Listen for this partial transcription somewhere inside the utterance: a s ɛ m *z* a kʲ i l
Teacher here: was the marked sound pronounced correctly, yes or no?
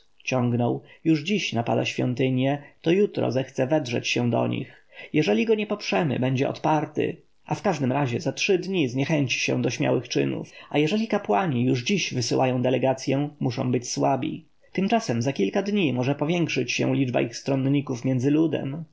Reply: yes